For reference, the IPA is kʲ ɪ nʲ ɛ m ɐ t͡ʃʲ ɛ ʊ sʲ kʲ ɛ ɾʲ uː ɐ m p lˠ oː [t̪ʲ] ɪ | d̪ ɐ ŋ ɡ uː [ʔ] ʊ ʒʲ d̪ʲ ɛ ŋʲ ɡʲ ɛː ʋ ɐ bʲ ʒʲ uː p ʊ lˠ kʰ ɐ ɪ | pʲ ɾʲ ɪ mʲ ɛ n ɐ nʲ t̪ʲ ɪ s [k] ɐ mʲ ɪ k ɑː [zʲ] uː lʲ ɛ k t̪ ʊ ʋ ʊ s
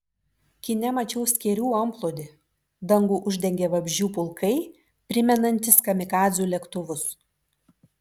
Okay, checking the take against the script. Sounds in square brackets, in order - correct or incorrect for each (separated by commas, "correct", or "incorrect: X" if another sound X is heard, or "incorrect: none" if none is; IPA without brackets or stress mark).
incorrect: d̪ʲ, correct, correct, correct